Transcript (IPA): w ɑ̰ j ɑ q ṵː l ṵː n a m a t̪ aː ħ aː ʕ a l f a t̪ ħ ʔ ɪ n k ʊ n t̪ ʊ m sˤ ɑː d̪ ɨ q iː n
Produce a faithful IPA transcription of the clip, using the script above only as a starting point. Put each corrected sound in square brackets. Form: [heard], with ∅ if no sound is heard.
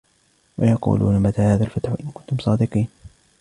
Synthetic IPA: w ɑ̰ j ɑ q ṵː l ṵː n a m a t̪ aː [h] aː [ð] a l f a t̪ ħ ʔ ɪ n k ʊ n t̪ ʊ m sˤ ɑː d̪ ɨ q iː n